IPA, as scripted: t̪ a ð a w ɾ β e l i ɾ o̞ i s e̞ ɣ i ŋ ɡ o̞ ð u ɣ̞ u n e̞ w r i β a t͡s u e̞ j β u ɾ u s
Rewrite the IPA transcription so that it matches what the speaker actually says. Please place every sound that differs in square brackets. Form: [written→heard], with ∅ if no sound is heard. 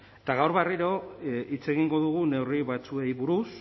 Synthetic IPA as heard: t̪ a [ð→ɣ] a w ɾ β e [l→r] i ɾ o̞ i [s→t͡s] e̞ ɣ i ŋ ɡ o̞ ð u ɣ̞ u n e̞ w r i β a t͡s u e̞ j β u ɾ u s